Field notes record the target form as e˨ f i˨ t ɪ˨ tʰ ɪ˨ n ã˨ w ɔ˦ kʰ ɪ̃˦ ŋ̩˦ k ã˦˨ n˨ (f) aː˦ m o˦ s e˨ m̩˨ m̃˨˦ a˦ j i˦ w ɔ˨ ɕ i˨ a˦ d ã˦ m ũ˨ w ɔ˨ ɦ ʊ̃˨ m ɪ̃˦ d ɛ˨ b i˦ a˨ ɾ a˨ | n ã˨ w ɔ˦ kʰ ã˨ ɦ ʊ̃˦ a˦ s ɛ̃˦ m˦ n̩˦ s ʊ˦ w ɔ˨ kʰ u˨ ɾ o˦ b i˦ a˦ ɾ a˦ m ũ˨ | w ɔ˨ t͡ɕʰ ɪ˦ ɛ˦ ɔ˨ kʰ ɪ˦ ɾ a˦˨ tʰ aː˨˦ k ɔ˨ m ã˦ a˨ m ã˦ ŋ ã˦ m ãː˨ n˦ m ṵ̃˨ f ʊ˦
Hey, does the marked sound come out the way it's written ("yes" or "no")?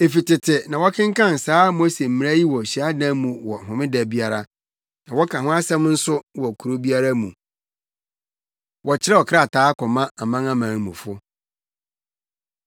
no